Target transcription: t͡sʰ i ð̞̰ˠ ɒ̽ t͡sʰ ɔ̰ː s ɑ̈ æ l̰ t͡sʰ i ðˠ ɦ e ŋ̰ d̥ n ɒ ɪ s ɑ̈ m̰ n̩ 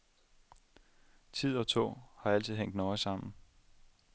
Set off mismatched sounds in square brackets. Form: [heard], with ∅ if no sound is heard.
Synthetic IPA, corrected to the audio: t͡sʰ i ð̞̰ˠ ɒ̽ t͡sʰ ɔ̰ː [h] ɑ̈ æ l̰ t͡sʰ i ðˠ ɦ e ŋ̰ d̥ n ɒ ɪ s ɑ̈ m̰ n̩